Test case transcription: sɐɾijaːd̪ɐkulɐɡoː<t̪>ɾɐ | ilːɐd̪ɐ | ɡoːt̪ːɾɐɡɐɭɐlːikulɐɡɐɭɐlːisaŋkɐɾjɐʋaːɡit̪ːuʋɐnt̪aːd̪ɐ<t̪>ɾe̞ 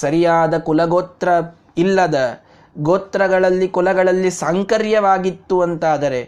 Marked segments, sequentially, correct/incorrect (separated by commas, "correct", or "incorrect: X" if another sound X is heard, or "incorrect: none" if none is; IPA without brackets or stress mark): correct, incorrect: none